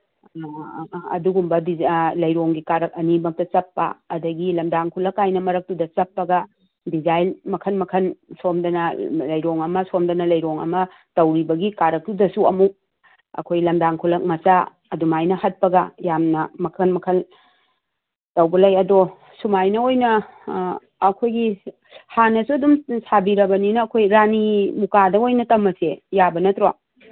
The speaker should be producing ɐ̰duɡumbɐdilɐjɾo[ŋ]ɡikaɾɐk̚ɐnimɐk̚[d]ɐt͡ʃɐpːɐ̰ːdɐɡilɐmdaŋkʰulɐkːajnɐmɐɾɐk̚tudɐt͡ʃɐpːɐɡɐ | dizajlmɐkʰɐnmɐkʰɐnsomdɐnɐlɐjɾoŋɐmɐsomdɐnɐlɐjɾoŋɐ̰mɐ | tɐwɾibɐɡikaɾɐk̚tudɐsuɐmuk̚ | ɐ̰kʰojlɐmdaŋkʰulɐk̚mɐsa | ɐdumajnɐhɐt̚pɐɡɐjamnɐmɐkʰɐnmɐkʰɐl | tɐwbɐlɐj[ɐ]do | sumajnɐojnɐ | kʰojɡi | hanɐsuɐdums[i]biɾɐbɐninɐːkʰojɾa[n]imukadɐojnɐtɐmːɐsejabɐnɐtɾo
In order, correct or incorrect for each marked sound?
correct, incorrect, correct, incorrect, correct

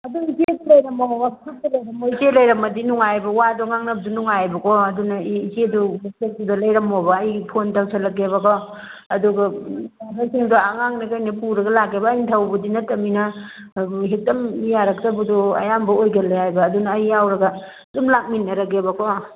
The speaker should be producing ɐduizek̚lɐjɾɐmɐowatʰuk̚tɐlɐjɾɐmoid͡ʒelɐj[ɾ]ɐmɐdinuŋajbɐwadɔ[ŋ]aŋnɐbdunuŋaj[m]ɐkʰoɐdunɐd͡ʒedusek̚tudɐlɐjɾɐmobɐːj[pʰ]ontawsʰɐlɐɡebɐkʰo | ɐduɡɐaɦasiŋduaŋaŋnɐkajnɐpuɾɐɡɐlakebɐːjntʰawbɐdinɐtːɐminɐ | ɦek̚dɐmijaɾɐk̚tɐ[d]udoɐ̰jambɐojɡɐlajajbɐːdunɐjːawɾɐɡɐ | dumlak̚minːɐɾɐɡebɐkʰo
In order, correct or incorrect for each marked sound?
correct, correct, incorrect, correct, incorrect

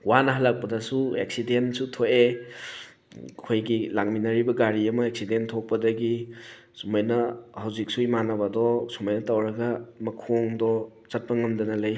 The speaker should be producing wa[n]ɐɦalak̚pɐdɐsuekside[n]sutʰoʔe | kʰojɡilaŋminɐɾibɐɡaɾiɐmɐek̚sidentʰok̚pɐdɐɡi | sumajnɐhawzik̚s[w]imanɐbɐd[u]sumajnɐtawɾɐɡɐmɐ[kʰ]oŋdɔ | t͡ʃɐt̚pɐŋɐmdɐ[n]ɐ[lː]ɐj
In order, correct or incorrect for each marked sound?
correct, correct, incorrect, incorrect, correct, correct, incorrect

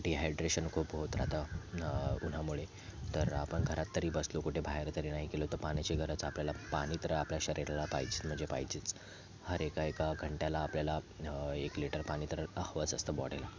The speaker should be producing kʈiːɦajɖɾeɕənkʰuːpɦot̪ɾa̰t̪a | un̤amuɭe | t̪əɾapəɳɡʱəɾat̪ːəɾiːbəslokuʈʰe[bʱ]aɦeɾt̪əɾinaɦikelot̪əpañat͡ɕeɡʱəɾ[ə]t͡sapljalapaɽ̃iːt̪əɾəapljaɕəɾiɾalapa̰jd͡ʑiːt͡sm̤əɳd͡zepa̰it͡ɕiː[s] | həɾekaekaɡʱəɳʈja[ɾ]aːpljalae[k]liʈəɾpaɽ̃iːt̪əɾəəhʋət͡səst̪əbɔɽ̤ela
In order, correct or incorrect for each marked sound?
correct, correct, incorrect, incorrect, correct

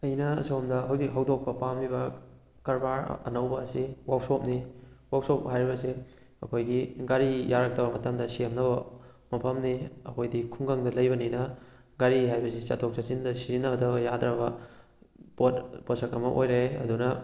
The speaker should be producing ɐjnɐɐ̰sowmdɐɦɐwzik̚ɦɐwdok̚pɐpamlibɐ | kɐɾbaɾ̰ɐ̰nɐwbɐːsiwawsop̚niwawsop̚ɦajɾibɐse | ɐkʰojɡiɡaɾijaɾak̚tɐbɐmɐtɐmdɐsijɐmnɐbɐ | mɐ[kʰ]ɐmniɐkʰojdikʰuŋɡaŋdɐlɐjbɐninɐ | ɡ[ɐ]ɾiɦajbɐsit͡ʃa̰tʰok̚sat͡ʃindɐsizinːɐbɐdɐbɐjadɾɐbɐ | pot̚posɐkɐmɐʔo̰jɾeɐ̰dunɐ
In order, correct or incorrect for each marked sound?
incorrect, incorrect

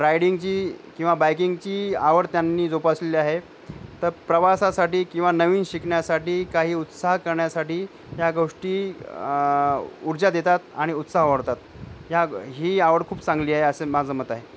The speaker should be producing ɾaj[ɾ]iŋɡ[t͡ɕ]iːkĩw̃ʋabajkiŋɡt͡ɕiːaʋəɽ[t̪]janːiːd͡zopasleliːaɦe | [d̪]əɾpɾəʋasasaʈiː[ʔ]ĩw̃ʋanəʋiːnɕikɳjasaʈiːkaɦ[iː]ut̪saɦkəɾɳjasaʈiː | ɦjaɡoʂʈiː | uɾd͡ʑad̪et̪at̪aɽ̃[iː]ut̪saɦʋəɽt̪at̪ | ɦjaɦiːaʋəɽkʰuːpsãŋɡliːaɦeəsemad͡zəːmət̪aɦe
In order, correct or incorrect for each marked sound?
incorrect, correct, correct, incorrect, incorrect, correct, incorrect

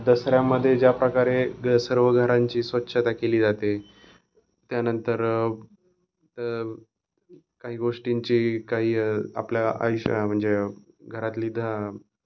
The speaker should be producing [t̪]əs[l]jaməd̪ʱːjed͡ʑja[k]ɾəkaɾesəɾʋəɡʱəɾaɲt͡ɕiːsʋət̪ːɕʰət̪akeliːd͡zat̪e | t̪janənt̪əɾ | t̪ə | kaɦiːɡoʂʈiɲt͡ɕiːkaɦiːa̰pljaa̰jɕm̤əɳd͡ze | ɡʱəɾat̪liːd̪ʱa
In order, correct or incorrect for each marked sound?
incorrect, incorrect, incorrect

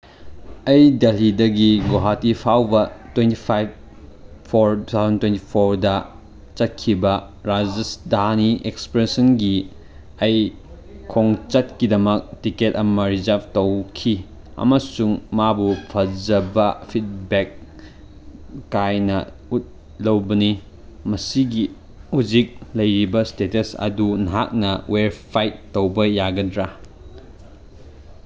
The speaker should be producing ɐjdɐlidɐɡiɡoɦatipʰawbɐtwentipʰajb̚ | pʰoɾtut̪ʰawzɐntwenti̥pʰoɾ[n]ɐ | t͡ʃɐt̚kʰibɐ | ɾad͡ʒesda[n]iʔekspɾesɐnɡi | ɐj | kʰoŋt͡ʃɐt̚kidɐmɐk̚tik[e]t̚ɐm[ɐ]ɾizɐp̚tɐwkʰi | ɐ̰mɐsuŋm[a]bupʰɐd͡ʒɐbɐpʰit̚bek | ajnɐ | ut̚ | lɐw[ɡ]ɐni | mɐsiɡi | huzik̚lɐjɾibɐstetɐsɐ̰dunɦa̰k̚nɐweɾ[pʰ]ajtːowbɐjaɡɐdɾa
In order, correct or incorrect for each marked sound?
incorrect, correct, correct, correct, correct, incorrect, correct

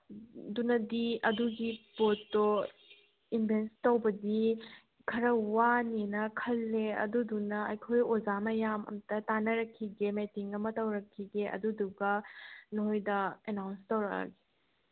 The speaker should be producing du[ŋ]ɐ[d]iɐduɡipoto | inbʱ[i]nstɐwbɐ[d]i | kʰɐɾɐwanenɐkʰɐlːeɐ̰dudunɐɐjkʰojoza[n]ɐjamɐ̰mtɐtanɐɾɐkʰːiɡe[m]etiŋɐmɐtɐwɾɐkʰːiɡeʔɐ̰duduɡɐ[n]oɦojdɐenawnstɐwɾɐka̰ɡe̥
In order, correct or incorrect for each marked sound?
incorrect, correct, incorrect, correct, incorrect, correct, correct

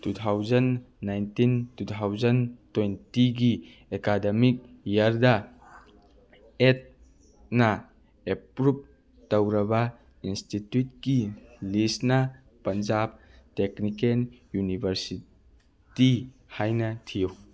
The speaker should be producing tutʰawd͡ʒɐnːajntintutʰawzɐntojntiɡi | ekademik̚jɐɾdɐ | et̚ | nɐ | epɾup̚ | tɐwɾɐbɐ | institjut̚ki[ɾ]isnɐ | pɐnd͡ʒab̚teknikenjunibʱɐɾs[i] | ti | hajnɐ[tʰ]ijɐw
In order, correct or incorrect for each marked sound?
incorrect, correct, correct

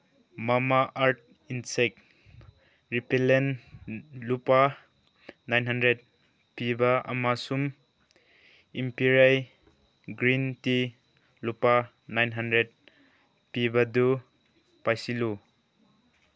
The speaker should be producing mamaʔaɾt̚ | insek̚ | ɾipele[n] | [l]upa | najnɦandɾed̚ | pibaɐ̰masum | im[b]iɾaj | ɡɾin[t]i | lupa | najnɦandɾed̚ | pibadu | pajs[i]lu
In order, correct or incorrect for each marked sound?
correct, correct, incorrect, correct, correct

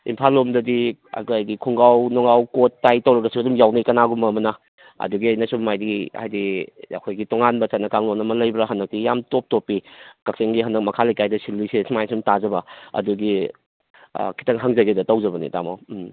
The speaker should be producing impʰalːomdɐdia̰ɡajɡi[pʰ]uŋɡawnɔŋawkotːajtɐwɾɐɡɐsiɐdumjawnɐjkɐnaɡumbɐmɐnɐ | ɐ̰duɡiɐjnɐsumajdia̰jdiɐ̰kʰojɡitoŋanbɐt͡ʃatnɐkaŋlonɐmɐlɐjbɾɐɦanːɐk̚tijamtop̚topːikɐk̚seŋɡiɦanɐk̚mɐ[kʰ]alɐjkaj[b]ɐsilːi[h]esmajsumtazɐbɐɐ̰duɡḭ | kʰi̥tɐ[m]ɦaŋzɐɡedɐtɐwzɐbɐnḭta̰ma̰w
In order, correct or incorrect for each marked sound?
incorrect, correct, incorrect, incorrect, incorrect

